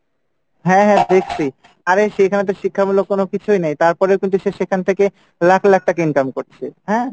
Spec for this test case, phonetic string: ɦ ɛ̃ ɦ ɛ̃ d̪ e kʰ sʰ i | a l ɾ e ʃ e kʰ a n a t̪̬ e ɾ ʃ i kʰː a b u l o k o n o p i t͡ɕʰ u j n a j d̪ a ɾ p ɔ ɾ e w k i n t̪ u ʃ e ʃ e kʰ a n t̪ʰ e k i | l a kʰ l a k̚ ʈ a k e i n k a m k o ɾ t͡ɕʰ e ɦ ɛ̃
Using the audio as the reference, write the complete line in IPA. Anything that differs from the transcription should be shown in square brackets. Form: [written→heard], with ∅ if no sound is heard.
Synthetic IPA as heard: ɦ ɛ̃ ɦ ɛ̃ d̪ e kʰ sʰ i | a [l→∅] ɾ e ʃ e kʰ a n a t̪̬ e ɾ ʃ i kʰː a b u l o k o n o [p→k] i t͡ɕʰ u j n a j [d̪→t̪] a ɾ p ɔ ɾ e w k i n t̪ u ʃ e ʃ e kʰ a n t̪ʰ e k [i→e] | l a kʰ l a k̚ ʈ a k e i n k a m k o ɾ t͡ɕʰ e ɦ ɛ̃